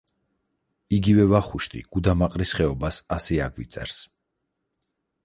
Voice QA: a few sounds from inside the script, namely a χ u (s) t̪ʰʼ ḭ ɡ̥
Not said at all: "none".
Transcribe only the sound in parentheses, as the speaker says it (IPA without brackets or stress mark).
ʃ